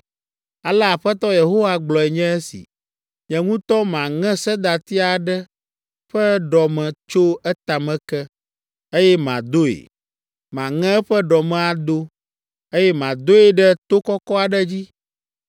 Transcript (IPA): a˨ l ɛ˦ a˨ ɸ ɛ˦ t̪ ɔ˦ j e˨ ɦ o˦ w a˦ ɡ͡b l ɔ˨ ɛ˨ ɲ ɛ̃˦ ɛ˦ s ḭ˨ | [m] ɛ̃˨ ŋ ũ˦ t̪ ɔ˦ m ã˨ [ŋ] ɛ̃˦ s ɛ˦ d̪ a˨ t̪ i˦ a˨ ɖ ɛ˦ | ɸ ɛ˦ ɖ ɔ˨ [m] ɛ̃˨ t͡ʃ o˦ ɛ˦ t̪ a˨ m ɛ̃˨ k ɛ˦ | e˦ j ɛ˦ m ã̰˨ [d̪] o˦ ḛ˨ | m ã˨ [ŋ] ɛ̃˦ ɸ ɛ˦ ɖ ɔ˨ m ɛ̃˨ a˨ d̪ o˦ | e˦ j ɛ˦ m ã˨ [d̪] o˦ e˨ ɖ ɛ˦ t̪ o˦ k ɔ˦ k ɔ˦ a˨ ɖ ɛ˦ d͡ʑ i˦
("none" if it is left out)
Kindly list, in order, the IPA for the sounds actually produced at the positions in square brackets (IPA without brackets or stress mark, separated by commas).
ɲ, ŋ, m, d̪, ŋ, d̪